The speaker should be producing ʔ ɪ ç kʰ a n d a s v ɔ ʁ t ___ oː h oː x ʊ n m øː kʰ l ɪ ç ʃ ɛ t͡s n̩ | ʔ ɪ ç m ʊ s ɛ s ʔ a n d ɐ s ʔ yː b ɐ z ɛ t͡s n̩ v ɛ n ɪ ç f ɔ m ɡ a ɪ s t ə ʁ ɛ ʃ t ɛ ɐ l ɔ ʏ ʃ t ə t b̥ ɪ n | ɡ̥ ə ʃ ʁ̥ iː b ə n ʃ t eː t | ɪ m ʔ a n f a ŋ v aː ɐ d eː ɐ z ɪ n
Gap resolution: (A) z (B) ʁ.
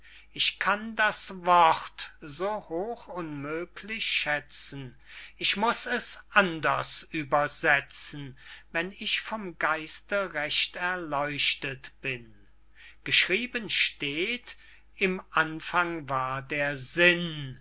A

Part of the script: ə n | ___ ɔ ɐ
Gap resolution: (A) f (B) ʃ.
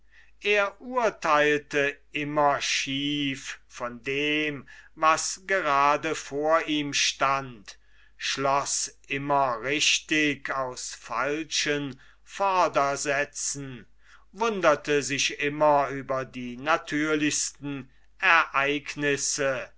A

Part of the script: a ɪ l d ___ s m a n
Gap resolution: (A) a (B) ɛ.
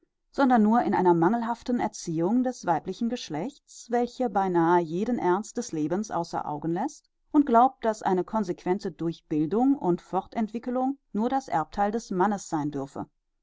B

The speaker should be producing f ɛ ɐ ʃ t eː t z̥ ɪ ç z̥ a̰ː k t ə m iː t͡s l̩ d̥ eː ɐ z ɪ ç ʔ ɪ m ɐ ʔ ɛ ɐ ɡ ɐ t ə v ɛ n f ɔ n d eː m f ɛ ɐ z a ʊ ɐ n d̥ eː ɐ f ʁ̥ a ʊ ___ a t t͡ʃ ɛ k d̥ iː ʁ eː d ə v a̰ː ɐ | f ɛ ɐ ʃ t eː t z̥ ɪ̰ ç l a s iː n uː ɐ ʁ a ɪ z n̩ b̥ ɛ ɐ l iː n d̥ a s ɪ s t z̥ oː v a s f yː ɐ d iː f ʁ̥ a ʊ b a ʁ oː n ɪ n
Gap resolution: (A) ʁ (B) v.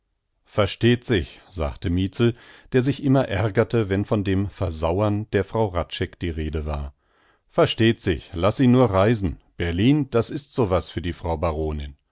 A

